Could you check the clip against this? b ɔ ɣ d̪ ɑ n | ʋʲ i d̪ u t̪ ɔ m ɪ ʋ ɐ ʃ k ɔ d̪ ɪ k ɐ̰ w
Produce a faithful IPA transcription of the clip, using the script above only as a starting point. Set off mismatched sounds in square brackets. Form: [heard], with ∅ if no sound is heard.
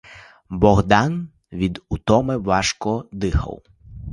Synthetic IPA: b ɔ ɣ d̪ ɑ n | ʋʲ i d̪ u t̪ ɔ m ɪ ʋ [ɑ] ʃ k ɔ d̪ ɪ [x] ɐ̰ w